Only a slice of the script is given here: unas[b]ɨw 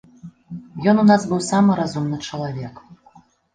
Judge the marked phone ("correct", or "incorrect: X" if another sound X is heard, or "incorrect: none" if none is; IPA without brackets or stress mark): correct